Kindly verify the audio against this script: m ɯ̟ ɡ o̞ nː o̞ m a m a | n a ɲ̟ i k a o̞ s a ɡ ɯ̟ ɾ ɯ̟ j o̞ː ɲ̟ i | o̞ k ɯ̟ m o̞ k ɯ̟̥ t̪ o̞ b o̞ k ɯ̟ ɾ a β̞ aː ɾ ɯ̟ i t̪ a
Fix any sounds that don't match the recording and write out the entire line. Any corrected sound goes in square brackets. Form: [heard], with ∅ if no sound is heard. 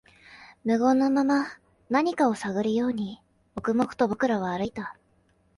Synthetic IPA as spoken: m ɯ̟ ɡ o̞ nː o̞ m a m a | n a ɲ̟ i k a o̞ s a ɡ ɯ̟ ɾ ɯ̟ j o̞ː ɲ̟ i | o̞ k ɯ̟ m o̞ k ɯ̟̥ t̪ o̞ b o̞ k ɯ̟ ɾ a β̞ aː ɾ ɯ̟ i t̪ a